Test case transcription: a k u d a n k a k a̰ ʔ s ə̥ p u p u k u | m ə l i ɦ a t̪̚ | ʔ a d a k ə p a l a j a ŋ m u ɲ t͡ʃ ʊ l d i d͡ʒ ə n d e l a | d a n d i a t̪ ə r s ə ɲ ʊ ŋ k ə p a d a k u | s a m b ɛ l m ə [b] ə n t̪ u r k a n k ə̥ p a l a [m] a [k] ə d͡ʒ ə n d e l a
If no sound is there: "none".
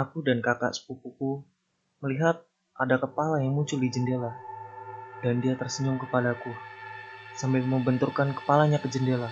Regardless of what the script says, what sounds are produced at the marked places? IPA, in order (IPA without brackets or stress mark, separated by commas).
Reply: b, ɲ, k